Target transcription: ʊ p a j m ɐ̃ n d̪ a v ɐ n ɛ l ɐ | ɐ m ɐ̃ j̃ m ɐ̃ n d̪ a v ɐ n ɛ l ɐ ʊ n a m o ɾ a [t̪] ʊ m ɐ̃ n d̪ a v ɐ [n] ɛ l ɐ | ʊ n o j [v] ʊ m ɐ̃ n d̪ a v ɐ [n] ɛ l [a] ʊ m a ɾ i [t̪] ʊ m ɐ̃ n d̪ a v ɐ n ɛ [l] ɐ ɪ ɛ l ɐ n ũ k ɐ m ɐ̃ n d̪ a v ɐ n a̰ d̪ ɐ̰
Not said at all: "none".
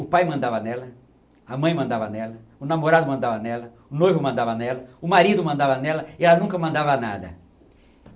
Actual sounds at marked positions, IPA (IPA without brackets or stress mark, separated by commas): d̪, n, v, n, ɐ, d̪, l